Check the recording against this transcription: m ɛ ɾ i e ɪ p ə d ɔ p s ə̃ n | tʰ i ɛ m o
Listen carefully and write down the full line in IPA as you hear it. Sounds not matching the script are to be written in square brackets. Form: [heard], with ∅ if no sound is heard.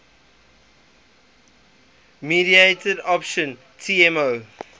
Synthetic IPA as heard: m [i] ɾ i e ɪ [t] ə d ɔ p [ʃ] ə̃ n | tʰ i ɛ m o